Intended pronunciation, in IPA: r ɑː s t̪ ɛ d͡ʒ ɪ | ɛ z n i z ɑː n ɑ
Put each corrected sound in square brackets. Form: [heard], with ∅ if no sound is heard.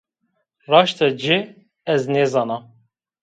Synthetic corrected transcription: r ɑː [ʃ] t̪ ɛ d͡ʒ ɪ | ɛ z n [e] z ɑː n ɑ